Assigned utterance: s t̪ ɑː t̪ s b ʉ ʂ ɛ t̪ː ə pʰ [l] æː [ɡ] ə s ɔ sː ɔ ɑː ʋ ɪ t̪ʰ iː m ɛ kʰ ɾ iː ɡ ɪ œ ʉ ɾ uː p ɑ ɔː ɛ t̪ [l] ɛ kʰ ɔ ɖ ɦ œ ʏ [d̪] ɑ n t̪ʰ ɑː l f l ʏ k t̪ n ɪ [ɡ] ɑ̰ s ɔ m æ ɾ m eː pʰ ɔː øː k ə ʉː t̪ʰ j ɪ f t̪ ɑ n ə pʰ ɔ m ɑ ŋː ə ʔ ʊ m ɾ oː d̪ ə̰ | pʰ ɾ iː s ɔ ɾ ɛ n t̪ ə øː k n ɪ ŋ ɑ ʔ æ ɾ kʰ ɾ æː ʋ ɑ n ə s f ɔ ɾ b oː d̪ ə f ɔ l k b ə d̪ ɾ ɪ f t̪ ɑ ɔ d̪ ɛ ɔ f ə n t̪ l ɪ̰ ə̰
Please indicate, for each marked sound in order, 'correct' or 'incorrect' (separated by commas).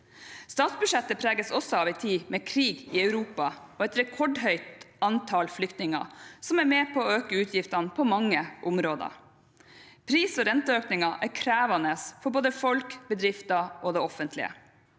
incorrect, correct, incorrect, incorrect, incorrect